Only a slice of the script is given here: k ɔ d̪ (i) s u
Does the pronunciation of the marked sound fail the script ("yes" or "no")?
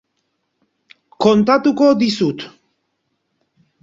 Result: no